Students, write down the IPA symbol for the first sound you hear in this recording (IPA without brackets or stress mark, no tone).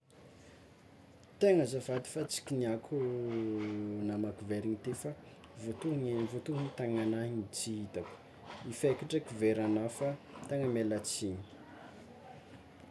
t̪